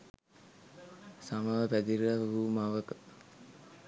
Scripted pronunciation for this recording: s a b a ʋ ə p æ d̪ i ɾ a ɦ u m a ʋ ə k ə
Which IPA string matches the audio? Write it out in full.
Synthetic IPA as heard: s a m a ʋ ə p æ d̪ i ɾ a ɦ u m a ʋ ə k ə